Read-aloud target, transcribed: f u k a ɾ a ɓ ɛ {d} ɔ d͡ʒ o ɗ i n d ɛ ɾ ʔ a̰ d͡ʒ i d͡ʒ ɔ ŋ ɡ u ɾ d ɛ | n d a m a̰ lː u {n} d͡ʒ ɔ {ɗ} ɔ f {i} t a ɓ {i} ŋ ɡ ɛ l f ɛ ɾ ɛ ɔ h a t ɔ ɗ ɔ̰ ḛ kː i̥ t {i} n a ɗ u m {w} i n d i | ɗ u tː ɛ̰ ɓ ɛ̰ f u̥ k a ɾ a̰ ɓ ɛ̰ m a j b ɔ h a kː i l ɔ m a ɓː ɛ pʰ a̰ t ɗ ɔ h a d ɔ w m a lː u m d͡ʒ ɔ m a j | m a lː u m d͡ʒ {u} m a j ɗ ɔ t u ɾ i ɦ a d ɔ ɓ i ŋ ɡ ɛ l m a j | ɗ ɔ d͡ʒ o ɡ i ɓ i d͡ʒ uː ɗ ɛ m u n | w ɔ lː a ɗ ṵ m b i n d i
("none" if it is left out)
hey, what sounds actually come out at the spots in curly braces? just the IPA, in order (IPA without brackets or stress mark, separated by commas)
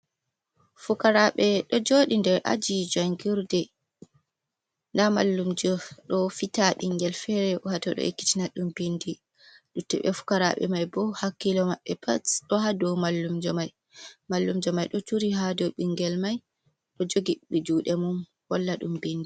ɗ, m, ɗ, i, i, i, b, ɔ